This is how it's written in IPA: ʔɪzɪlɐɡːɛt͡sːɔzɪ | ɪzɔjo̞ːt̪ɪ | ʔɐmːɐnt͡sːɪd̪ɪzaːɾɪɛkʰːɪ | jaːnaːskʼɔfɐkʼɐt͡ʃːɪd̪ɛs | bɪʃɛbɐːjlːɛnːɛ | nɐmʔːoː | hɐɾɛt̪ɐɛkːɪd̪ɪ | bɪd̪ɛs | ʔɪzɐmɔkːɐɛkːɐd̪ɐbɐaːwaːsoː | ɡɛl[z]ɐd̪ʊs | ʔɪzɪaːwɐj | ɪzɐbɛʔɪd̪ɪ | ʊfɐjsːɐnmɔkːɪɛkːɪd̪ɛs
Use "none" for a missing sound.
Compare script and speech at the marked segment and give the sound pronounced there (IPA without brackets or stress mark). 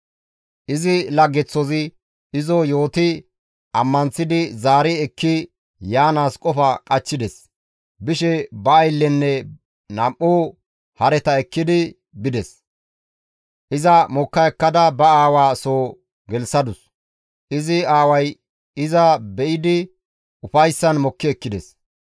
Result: s